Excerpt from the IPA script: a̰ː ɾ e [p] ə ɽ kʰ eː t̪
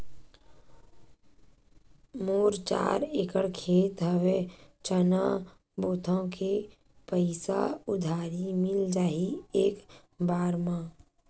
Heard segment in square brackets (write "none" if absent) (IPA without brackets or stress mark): k